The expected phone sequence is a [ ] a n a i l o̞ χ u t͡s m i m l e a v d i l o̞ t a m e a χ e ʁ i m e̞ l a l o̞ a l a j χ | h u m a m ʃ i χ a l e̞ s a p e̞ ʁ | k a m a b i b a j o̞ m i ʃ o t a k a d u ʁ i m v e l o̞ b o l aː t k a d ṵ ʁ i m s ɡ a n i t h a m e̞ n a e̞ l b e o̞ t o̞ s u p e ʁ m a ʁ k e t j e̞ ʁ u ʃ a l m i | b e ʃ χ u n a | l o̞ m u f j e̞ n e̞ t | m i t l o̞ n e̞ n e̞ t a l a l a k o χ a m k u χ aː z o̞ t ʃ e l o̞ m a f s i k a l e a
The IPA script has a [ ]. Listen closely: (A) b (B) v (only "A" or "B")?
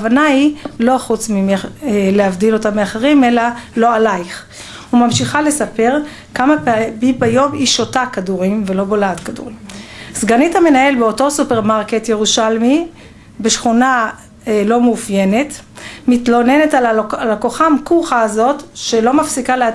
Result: B